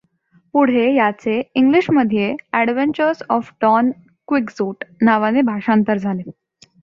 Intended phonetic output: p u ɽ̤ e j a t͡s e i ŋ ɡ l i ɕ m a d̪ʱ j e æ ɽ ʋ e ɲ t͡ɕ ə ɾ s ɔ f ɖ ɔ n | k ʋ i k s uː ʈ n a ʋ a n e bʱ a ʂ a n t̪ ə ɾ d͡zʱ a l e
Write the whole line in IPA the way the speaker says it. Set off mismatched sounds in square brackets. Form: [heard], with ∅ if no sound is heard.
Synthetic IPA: p u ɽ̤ e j a t͡s e i ŋ ɡ l i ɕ m [ə] d̪ʱ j e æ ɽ ʋ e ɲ t͡ɕ ə ɾ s ɔ f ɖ ɔ n | k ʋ i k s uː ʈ n a ʋ a n e bʱ a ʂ a n t̪ ə ɾ d͡zʱ a l e